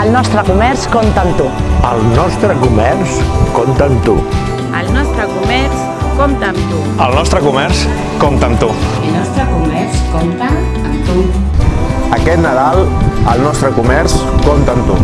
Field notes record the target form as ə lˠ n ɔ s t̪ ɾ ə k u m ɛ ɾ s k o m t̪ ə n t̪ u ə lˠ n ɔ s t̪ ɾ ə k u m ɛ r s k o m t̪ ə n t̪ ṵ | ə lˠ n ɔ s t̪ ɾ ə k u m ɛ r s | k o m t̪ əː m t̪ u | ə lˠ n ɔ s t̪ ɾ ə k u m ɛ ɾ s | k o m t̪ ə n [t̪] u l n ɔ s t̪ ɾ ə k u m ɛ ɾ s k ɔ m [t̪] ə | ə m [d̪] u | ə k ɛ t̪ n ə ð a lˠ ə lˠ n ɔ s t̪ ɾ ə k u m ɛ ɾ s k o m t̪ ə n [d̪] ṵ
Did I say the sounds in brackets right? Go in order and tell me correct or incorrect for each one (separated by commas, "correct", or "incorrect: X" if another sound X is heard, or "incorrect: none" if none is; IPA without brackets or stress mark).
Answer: correct, correct, incorrect: t̪, incorrect: t̪